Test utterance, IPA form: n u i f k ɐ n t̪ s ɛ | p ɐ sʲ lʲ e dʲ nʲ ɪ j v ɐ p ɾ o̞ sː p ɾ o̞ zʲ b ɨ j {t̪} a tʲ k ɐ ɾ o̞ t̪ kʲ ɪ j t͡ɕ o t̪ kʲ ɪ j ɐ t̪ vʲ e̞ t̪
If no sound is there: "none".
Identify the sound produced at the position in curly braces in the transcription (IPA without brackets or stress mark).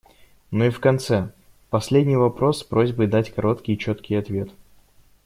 d̪